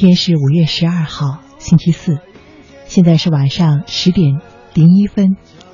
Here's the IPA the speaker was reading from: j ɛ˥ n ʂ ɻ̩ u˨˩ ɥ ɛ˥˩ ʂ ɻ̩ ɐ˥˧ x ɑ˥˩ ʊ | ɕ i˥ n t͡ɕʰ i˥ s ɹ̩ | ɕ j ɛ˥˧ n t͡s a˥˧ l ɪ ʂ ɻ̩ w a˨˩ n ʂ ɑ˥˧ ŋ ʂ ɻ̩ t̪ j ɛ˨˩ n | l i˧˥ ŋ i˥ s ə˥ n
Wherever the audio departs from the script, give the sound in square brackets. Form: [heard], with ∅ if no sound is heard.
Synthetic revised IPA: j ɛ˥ n ʂ ɻ̩ u˨˩ ɥ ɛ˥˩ ʂ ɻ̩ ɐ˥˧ x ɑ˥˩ ʊ | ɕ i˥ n t͡ɕʰ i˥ s ɹ̩ | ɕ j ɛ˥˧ n t͡s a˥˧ [∅] ɪ ʂ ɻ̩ w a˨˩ n ʂ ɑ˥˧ ŋ ʂ ɻ̩ t̪ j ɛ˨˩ n | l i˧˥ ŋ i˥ [f] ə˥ n